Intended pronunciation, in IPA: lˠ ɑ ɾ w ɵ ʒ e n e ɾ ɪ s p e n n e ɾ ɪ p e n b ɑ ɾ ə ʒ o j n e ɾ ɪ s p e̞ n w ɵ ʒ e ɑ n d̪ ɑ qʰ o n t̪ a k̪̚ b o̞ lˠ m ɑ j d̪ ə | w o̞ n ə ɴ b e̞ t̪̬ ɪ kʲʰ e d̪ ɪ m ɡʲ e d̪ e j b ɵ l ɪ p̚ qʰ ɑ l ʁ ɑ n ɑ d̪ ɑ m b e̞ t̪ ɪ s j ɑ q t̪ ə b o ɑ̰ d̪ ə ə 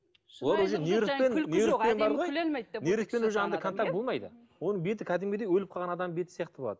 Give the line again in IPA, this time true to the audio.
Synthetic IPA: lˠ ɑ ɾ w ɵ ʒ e n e ɾ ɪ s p e n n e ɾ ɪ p e n b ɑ ɾ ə ʁ o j n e ɾ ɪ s p e̞ n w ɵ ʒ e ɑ n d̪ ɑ kʰ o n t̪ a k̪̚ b o̞ lˠ m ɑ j d̪ ə | w o̞ n ə ɴ b e̞ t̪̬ ɪ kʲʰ æ d̪ ɪ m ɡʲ e d̪ e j w ɵ l ɪ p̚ qʰ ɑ l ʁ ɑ n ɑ d̪ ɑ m b e̞ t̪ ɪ s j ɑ q t̪ ə b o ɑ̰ d̪ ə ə

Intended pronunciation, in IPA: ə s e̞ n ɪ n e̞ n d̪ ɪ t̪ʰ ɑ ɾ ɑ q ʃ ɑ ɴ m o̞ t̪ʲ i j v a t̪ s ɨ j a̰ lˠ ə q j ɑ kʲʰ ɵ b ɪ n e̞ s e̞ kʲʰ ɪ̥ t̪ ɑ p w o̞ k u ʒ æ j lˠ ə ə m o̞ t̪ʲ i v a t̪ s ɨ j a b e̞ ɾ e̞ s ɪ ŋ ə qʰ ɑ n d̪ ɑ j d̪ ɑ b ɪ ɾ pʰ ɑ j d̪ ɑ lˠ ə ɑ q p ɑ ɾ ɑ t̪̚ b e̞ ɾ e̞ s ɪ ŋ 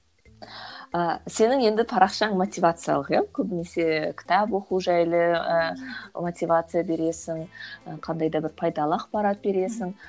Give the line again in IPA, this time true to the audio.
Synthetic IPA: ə s e̞ n ɪ ŋ e̞ n d̪ ɪ t̪ʰ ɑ ɾ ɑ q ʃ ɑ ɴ m o̞ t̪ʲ i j v a t̪ s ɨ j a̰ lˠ ə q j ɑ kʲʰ ɵ b ɪ n e̞ s e̞ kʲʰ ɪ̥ t̪ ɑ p w o̞ q u ʒ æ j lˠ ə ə m o̞ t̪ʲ i v a t̪ s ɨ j a b e̞ ɾ e̞ s ɪ ŋ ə qʰ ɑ n d̪ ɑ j d̪ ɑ b ɪ ɾ pʰ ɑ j d̪ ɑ lˠ ə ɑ q p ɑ ɾ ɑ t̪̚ b e̞ ɾ e̞ s ɪ ŋ

